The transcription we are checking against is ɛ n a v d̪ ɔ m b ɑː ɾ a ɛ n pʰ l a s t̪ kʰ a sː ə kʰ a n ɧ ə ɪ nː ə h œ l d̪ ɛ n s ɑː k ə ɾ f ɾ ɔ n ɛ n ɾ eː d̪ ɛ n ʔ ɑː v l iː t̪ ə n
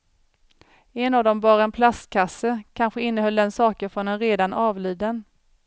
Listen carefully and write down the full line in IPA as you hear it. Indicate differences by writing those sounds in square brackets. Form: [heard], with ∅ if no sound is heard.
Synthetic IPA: ɛ n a v d̪ ɔ m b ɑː ɾ a ɛ n pʰ l a s t̪ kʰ a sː ə kʰ a n ɧ ə ɪ nː ə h œ l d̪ ɛ n s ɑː k ə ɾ f ɾ ɔ n ɛ n ɾ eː d̪ [a] n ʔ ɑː v l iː [d̪] ə n